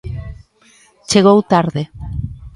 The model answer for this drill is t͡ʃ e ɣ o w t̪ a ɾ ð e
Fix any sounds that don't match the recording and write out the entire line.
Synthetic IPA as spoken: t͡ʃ e ɣ o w t̪ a ɾ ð e